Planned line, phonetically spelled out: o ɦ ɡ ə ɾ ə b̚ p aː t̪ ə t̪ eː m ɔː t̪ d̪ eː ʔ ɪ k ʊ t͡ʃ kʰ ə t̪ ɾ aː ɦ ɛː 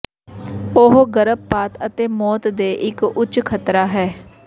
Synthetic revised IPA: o ɦ ɡ ə ɾ ə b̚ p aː t̪ ə t̪ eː m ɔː t̪ d̪ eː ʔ ɪ k ʊ t͡ʃ kʰ ə t̪ ɾ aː ɦ ɛː